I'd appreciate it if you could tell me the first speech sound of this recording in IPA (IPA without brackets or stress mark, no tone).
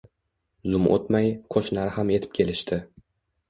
z